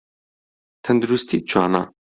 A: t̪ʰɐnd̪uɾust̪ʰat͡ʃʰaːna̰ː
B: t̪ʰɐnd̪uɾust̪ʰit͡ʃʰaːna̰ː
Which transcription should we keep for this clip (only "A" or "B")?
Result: B